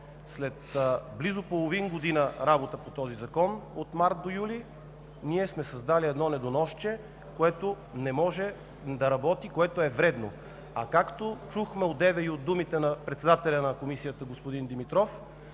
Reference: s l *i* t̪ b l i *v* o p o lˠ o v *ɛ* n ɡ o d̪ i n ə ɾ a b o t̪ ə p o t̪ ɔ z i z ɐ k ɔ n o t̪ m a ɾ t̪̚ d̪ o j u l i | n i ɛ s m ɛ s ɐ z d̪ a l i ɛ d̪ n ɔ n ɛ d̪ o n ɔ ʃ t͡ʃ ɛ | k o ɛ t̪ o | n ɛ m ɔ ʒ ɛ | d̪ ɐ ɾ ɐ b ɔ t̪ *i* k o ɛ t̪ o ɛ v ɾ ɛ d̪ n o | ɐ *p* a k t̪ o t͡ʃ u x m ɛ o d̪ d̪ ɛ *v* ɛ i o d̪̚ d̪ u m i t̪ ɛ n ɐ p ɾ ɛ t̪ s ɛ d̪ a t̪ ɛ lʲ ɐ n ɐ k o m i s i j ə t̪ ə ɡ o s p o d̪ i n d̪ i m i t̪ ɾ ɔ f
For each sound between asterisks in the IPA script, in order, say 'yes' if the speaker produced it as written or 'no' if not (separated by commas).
no, no, no, yes, no, yes